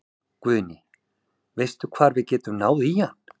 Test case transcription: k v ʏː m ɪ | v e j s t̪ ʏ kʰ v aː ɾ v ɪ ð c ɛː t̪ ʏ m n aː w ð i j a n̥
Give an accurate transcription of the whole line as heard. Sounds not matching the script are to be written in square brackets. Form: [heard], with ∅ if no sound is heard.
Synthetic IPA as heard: k v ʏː [n] ɪ | v e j s t̪ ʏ kʰ v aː ɾ v ɪ ð c ɛː t̪ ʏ m n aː w ð i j a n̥